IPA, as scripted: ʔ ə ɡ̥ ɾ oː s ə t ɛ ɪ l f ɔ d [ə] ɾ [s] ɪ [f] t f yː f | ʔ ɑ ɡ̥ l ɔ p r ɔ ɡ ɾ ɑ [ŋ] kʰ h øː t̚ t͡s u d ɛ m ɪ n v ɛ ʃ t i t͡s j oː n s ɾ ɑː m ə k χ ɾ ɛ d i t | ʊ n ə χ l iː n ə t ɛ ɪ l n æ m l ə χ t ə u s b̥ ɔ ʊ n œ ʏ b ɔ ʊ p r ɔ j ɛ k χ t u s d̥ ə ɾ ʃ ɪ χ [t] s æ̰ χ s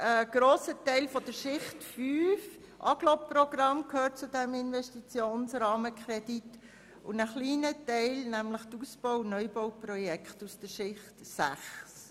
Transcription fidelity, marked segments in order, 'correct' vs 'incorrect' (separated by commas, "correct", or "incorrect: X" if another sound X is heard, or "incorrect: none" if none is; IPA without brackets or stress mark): correct, incorrect: ʃ, incorrect: χ, incorrect: m, correct